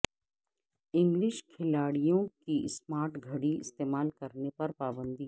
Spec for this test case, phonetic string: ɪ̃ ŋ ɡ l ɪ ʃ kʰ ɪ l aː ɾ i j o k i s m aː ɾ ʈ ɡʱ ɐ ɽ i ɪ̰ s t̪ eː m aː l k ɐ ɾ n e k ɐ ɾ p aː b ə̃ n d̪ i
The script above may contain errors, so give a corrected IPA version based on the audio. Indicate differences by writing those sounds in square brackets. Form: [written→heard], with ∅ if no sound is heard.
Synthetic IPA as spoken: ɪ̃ ŋ ɡ l ɪ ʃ kʰ ɪ l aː [ɾ→ɽ] i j [o→õ] k i s m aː ɾ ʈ ɡʱ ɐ ɽ i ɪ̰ s t̪ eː m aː l k ɐ ɾ n e [k→p] ɐ ɾ p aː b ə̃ n d̪ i